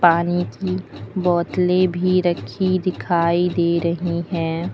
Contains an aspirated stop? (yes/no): yes